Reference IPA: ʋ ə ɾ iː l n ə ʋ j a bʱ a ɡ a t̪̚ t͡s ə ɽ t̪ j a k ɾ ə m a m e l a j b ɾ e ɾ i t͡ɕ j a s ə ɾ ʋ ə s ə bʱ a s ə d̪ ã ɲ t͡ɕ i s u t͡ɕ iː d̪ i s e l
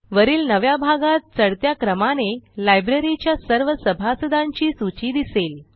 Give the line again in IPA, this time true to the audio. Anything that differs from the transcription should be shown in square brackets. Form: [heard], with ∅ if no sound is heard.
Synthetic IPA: ʋ ə ɾ iː l n ə ʋ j a bʱ a ɡ a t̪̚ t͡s ə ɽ t̪ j a k ɾ ə m a [n] e l a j b ɾ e ɾ i t͡ɕ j a s ə ɾ ʋ ə s ə bʱ a s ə d̪ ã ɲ t͡ɕ [iː] s u t͡ɕ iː d̪ i s e l